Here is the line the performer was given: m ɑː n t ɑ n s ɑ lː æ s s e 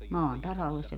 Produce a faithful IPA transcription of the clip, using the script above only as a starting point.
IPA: m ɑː n t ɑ s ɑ lː e s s e